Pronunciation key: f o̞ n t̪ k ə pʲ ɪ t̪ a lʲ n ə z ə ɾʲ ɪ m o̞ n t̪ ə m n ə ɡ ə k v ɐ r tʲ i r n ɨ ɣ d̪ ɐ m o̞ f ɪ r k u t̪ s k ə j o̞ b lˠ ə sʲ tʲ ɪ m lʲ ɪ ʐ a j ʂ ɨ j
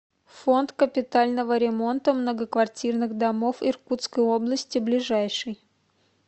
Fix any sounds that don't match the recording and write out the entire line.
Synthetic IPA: f o̞ n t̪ k ə pʲ ɪ t̪ a lʲ n ə v ə ɾʲ ɪ m o̞ n t̪ ə m n ə ɡ ə k v ɐ r tʲ i r n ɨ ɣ d̪ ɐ m o̞ f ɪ r k u t̪ s k ə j o̞ b lˠ ə sʲ tʲ ɪ b lʲ ɪ ʐ a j ʂ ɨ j